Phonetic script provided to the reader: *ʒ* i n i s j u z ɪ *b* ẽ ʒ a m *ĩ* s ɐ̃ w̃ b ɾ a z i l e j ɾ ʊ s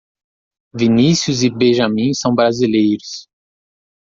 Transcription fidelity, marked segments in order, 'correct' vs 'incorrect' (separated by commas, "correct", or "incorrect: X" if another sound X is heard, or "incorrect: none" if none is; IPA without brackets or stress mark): incorrect: v, correct, correct